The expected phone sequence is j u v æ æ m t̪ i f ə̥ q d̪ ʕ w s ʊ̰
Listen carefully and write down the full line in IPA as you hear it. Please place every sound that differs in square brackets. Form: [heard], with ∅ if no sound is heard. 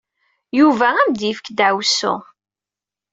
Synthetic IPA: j u v æ æ m [d̪] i f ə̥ [k] d̪ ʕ w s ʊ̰

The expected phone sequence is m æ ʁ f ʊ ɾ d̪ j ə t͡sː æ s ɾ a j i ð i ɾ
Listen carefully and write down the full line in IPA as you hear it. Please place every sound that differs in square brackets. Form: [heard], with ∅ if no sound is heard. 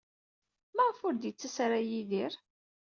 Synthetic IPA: m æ ʁ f ʊ ɾ d̪ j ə t͡sː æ s ɾ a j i ð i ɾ

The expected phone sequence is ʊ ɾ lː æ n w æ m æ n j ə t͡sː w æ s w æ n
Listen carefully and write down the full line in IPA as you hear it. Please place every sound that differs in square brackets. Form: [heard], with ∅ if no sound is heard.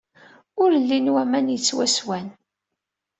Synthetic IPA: ʊ ɾ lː [i] n w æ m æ n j ə t͡sː w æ s w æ n

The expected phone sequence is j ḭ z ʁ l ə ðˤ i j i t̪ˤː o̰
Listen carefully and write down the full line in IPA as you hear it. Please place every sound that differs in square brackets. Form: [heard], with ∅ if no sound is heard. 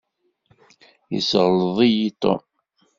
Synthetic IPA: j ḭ [s] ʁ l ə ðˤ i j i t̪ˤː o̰

